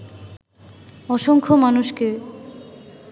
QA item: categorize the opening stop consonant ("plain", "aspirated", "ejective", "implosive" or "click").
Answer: aspirated